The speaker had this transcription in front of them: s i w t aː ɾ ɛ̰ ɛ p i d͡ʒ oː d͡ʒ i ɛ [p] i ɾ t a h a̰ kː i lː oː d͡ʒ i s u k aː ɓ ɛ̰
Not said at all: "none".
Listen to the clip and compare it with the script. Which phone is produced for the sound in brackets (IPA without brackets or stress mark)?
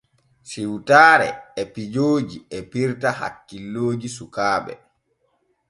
p